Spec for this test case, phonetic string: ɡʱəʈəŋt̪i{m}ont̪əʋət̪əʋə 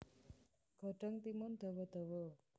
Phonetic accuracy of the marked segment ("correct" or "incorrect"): correct